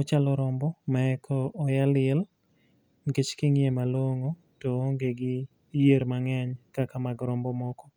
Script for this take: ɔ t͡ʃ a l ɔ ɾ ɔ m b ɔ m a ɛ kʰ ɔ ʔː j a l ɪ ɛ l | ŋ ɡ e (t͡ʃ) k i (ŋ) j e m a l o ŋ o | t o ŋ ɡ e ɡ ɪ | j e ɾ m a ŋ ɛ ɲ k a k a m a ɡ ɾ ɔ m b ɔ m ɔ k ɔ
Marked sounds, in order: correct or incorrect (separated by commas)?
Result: correct, correct